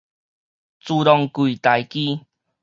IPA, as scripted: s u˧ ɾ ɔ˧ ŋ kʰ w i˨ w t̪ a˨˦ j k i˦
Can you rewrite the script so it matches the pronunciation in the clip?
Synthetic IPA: t͡s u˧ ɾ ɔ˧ ŋ k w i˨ t̪ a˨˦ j k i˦